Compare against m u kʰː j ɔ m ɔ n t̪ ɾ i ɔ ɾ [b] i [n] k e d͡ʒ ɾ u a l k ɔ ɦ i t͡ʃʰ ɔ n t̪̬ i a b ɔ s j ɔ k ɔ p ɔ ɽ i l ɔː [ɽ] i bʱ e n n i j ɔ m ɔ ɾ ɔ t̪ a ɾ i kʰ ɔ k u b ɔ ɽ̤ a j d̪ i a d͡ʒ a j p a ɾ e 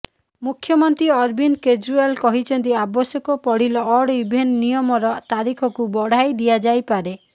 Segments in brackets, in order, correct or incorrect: correct, correct, correct

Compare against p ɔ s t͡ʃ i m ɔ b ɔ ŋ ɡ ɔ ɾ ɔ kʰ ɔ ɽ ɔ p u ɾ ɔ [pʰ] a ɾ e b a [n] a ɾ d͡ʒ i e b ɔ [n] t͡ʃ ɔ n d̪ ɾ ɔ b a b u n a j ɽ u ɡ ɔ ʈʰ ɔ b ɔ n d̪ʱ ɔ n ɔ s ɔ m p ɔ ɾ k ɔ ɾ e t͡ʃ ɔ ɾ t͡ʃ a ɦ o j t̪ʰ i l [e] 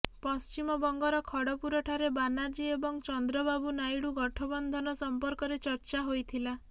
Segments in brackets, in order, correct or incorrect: incorrect, correct, incorrect, incorrect

